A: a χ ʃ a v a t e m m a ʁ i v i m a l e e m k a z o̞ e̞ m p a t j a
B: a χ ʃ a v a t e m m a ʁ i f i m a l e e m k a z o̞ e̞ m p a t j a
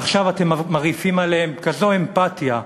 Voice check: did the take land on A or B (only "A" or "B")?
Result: B